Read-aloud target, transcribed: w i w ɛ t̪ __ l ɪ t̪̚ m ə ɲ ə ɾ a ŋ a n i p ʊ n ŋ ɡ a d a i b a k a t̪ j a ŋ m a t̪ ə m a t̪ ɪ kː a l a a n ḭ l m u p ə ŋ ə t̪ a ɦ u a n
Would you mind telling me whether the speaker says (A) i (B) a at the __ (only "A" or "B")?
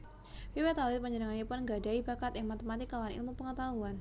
B